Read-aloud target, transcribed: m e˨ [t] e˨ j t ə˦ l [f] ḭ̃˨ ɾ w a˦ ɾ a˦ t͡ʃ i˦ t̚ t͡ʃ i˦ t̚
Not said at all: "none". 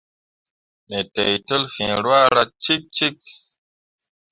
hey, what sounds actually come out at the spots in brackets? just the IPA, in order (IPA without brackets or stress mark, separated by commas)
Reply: t, f